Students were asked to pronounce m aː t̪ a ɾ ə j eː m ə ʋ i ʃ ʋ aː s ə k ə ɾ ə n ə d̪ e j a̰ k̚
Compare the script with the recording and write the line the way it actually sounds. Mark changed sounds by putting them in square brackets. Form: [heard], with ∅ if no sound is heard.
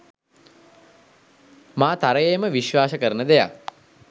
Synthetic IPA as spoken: m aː t̪ a ɾ ə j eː m ə ʋ i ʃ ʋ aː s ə k ə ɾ ə n ə d̪ e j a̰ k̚

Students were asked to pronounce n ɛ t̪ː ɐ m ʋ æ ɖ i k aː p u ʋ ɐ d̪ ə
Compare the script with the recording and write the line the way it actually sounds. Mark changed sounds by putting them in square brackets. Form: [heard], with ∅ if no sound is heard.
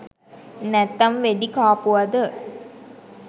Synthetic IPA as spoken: n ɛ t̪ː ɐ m ʋ [e] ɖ i k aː p u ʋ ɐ d̪ ə

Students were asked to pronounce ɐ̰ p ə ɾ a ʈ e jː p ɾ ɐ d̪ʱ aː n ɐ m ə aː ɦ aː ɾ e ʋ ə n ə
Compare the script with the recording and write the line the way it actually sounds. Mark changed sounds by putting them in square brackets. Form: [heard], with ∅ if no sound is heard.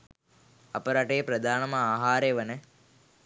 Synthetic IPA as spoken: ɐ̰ p ə ɾ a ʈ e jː p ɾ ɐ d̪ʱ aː n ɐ m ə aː ɦ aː ɾ e ʋ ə n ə

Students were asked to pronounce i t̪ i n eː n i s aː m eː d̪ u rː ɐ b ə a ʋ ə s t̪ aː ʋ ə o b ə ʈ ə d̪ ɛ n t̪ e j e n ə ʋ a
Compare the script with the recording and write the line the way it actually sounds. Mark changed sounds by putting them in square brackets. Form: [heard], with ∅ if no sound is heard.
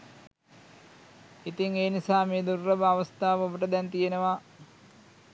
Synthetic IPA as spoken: i t̪ i [ŋ] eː n i s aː m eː d̪ u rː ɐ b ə a ʋ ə s t̪ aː ʋ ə o b ə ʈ ə d̪ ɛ n t̪ [i] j e n ə ʋ a

